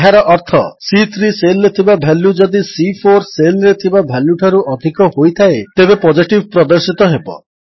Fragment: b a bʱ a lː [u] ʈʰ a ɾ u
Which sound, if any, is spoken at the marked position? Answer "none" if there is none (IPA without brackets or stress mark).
u